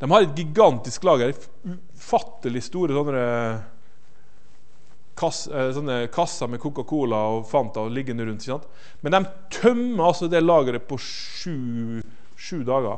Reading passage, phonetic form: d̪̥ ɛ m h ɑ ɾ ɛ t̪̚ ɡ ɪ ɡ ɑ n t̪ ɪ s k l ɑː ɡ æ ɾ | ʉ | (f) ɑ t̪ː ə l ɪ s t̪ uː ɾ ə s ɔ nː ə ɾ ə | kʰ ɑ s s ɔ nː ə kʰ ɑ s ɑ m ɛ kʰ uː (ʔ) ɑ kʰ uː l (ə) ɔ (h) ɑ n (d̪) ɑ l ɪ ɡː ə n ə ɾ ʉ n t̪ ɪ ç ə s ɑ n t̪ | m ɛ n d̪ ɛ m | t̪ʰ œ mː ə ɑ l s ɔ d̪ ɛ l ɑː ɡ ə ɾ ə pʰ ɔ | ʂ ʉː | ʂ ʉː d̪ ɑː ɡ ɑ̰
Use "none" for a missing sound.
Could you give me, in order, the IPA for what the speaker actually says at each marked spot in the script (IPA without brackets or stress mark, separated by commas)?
f, k, ɑ, f, t̪